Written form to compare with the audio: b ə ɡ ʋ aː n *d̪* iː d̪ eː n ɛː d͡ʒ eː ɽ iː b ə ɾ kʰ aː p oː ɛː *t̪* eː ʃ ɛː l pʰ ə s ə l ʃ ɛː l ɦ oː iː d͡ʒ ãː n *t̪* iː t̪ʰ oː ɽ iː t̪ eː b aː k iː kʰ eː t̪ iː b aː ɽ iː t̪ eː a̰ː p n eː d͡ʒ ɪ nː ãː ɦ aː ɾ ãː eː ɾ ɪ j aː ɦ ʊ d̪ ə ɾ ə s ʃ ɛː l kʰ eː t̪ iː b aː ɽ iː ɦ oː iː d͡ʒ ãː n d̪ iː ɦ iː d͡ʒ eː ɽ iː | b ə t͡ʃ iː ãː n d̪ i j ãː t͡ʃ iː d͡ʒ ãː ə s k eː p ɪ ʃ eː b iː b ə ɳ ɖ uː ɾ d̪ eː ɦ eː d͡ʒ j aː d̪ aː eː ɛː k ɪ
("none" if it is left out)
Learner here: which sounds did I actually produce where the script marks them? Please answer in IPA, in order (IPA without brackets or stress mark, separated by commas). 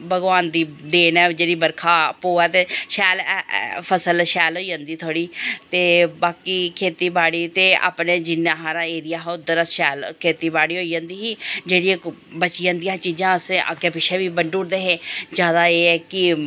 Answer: d̪, t̪, d̪